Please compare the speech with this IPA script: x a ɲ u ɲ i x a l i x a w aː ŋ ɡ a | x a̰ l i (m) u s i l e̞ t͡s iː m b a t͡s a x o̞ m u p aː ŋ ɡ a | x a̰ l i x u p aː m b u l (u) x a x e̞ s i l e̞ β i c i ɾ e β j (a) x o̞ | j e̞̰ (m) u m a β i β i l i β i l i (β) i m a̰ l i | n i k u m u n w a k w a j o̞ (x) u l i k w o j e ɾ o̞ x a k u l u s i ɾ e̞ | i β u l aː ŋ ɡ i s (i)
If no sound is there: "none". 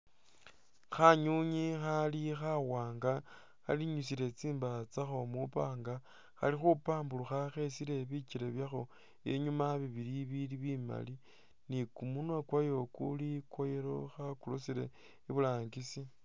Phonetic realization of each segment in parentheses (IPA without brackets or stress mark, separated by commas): ɲ, u, a, ɲ, β, k, i